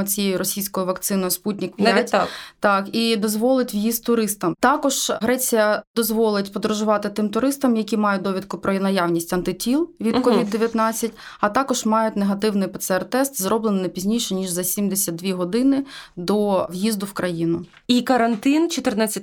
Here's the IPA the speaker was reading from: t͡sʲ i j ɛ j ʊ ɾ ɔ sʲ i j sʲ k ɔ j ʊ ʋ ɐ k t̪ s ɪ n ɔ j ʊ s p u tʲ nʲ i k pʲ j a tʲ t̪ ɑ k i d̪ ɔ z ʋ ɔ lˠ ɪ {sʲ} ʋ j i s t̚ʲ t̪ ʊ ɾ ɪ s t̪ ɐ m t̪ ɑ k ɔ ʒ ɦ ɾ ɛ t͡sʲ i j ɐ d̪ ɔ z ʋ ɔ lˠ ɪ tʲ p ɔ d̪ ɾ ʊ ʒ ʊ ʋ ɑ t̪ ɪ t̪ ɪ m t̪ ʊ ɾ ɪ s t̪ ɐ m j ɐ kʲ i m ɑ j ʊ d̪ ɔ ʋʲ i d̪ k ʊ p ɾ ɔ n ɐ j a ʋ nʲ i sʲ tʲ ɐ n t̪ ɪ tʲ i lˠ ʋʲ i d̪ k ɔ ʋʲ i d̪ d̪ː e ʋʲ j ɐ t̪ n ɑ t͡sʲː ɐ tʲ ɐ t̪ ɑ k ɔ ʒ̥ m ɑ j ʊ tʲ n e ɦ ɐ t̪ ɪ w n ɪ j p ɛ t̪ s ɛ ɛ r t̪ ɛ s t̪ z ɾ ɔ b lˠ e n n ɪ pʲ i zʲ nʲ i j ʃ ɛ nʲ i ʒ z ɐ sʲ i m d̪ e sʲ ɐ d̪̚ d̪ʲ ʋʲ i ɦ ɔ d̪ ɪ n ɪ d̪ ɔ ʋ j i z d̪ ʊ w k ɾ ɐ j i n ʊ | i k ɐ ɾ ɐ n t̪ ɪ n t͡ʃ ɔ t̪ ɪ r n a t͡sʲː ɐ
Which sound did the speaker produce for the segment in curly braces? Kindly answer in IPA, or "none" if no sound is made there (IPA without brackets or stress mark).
tʲ